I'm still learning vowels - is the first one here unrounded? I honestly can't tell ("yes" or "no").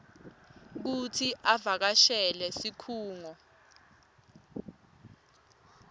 no